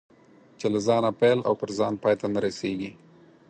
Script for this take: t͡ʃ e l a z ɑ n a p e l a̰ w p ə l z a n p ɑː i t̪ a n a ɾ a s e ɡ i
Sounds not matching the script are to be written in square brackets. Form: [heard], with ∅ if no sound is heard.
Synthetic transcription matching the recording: t͡ʃ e l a z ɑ n a p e l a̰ w p ə [ɾ] z [ɑ] n p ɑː [j] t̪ a n a ɾ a s e ɡ i